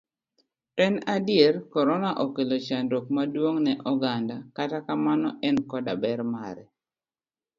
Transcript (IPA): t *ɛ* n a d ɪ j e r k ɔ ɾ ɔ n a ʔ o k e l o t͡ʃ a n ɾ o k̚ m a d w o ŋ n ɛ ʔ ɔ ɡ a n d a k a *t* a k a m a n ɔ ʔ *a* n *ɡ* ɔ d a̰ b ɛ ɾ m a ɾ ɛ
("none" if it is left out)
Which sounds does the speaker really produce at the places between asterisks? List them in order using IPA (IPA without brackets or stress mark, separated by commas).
ɛ, t, ɛ, k